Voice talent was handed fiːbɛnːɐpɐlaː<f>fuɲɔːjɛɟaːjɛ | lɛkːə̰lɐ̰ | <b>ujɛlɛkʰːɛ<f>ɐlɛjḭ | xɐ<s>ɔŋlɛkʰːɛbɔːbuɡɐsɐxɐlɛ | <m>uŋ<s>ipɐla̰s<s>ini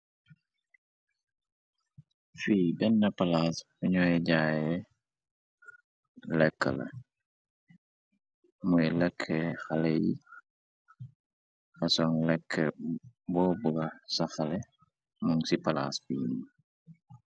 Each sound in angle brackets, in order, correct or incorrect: incorrect: s, incorrect: m, incorrect: x, correct, correct, correct, incorrect: f

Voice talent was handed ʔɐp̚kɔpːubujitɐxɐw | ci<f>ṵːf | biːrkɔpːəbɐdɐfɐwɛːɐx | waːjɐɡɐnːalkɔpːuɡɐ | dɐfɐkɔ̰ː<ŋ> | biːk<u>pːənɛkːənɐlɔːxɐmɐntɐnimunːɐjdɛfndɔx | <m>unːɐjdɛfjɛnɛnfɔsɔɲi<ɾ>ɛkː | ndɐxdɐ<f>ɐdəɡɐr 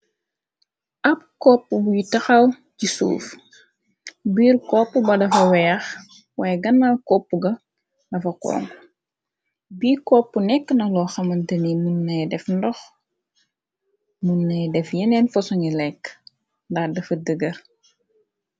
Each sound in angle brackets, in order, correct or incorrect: incorrect: s, correct, incorrect: ɔ, correct, incorrect: l, correct

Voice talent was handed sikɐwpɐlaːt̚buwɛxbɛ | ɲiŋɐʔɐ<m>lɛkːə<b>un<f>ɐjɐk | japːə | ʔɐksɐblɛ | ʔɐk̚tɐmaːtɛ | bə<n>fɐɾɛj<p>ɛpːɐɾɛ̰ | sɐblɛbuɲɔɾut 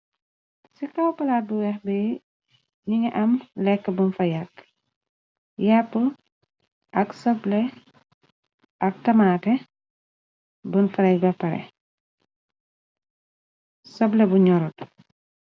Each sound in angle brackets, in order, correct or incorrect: correct, correct, correct, correct, incorrect: b

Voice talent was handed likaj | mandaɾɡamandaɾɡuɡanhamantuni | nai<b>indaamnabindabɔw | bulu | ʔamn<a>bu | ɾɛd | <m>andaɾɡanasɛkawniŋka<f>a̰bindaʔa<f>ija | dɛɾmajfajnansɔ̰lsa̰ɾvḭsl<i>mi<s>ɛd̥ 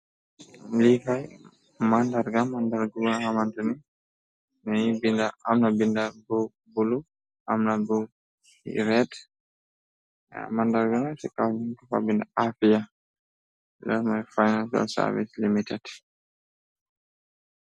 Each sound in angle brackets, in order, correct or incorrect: correct, correct, correct, correct, correct, correct, incorrect: t

